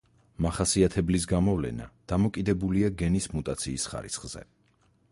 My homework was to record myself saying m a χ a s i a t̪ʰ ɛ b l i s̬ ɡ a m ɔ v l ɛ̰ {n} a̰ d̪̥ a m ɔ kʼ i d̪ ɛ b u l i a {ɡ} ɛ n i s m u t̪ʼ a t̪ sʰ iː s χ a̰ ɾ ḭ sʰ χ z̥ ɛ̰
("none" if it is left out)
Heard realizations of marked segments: n, ɡ

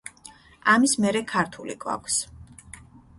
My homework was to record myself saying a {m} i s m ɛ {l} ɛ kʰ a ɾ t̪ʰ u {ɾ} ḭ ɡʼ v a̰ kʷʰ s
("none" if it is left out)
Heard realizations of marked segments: m, ɾ, l

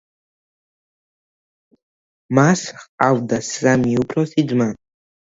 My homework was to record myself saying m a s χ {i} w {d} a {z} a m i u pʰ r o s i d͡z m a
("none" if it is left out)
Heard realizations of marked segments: a, d, s

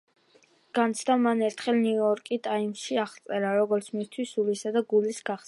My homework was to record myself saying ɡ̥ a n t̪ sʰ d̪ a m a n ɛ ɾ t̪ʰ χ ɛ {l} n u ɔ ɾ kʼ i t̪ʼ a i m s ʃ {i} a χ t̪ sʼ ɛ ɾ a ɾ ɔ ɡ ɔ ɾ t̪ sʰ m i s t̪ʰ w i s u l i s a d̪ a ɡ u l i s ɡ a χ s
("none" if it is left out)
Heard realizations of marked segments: l, i

